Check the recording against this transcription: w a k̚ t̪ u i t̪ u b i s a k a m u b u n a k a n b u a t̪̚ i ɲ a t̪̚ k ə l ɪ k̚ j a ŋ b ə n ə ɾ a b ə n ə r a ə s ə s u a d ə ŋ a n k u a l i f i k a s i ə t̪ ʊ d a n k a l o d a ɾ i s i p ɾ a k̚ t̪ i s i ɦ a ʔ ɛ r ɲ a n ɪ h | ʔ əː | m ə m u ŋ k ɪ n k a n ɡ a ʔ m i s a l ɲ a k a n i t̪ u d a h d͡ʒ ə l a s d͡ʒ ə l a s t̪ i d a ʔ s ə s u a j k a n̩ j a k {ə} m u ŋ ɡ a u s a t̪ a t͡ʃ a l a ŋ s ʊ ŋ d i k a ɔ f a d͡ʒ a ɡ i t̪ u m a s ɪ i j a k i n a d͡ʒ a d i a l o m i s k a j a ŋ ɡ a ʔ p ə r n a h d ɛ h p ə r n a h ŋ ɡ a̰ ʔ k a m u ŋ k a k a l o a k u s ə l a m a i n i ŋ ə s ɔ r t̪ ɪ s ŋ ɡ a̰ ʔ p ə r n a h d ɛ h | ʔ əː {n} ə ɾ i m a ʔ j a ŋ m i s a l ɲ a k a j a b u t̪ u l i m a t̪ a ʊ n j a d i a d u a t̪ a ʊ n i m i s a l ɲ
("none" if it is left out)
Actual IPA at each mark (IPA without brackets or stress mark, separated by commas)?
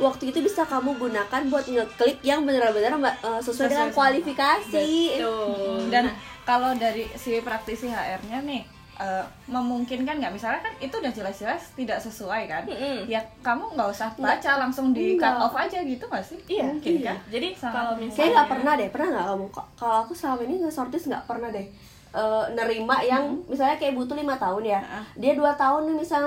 a, n